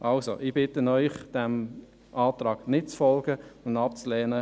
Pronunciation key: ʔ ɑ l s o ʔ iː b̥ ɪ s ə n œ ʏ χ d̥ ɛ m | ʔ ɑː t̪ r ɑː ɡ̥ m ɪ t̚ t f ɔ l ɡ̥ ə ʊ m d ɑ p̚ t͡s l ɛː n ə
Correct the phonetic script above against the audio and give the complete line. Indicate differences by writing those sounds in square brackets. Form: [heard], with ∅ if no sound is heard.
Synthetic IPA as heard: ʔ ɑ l s o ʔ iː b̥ ɪ [t] ə n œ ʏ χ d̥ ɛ m | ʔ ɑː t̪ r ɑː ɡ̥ [n] ɪ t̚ [t͡s] f ɔ l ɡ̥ ə ʊ [n] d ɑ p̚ t͡s l ɛː n ə